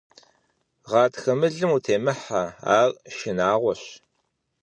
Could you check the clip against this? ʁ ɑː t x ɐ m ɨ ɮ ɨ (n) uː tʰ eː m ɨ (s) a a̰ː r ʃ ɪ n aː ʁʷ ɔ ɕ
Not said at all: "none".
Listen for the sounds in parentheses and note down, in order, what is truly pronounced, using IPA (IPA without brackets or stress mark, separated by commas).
m, ħ